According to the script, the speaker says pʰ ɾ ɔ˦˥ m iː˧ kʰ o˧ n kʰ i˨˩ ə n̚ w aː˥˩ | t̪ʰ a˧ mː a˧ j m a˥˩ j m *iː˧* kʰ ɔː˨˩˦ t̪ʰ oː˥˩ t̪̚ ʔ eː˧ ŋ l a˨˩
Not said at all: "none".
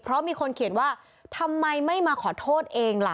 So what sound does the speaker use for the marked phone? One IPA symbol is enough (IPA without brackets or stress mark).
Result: aː˧